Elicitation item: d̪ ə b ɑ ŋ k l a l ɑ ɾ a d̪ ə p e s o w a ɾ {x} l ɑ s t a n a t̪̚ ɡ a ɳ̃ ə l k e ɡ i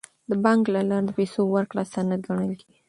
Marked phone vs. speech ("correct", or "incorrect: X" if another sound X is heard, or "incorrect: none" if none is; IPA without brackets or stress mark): incorrect: k